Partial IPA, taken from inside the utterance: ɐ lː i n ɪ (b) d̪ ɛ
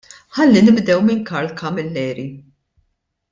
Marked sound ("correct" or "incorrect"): correct